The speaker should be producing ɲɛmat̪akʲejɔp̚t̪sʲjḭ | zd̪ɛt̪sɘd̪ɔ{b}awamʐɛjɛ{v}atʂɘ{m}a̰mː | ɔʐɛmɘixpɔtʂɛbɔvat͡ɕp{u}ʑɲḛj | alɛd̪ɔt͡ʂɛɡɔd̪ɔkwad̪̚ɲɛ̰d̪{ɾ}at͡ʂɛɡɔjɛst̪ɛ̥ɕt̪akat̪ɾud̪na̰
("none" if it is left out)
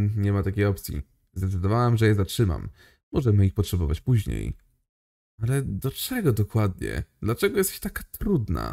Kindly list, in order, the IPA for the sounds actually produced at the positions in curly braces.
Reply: v, z, m, u, l

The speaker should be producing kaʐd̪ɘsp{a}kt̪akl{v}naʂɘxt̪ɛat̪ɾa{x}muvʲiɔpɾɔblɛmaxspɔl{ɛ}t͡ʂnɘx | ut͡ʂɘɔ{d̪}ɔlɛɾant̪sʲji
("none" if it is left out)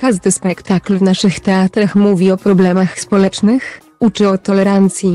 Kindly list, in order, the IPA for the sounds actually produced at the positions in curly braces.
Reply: ɛ, v, x, ɛ, t̪

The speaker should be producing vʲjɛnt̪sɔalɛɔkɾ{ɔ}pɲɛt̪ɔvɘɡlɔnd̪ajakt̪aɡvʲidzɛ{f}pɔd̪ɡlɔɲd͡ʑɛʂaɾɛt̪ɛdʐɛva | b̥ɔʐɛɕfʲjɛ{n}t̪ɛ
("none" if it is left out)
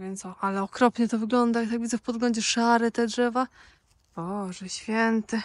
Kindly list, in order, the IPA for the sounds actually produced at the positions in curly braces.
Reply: ɔ, f, n

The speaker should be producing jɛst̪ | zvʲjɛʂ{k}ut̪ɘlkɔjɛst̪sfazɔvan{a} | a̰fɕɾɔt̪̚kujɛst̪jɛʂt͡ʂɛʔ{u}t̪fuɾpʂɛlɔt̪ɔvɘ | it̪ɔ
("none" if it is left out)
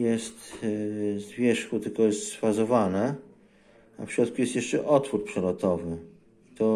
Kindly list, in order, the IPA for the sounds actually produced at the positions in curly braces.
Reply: x, ɛ, ɔ

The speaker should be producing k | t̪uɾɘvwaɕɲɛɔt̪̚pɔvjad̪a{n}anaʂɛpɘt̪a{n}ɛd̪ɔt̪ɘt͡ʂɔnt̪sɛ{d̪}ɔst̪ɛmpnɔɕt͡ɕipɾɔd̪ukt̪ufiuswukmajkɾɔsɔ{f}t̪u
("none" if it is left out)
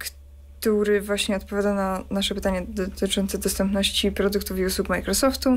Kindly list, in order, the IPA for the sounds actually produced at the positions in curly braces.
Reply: n, ɲ, d̪, f

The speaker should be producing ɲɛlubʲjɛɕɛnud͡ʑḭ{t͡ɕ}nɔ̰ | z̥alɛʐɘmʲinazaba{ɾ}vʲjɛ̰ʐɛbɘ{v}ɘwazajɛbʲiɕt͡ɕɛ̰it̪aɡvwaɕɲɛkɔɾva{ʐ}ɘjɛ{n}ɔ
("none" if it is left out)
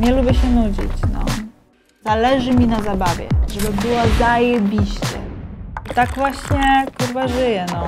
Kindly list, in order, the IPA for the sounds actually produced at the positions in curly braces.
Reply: t͡ɕ, none, b, ʐ, n

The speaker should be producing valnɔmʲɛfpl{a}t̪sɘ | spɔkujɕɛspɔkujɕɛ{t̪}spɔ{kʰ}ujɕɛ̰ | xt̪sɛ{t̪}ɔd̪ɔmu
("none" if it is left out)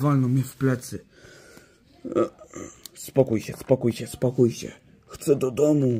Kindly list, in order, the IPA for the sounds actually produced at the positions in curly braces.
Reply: ɛ, none, k, d̪

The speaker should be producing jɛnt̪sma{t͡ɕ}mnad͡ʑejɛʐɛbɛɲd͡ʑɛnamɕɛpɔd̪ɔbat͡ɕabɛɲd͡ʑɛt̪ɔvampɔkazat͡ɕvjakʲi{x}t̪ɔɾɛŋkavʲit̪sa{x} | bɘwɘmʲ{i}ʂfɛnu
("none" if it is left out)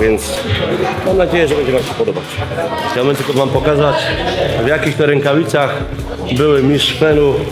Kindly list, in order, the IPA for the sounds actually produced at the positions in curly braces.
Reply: none, x, x, i

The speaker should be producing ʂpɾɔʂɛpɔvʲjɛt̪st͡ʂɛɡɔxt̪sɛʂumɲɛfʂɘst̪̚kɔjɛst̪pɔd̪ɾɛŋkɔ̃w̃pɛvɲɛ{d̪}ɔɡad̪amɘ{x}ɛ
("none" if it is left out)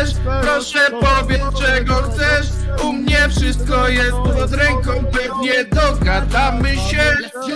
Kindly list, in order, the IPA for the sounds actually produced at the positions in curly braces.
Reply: d̪, ɕ

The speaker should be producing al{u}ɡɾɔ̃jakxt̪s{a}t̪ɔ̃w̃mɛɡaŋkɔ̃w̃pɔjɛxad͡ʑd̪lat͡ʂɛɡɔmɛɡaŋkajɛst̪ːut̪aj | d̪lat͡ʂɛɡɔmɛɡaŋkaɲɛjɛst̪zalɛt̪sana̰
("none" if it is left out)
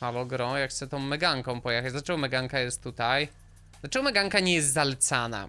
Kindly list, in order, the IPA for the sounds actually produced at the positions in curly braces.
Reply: ɔ, ɛ

